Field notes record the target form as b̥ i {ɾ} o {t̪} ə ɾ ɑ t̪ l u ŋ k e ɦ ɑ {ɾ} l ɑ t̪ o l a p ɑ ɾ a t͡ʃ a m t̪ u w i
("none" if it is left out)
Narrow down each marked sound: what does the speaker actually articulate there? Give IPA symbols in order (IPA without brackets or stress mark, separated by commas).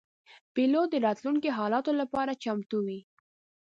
l, d̪, none